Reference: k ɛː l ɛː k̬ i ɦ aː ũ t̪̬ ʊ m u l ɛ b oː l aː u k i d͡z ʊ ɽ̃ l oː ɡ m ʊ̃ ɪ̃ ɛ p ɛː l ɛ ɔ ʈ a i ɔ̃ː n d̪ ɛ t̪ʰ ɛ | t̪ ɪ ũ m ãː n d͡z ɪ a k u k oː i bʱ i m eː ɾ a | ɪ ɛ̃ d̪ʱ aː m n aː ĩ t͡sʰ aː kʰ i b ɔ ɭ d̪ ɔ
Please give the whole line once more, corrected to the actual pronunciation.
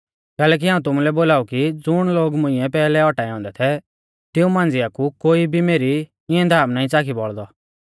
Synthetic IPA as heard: k ɛː l ɛː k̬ i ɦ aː ũ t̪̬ ʊ m u l ɛ b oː l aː u k i d͡z ʊ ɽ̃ l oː ɡ m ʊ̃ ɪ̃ ɛ p ɛː l ɛ ɔ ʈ a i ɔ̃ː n d̪ ɛ t̪ʰ ɛ | t̪ ɪ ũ m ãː n d͡z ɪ a k u k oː i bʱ i m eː ɾ i | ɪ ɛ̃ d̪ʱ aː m n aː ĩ t͡s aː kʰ i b ɔ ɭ d̪ ɔ